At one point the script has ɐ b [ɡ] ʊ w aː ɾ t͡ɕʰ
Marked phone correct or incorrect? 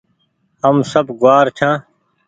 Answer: correct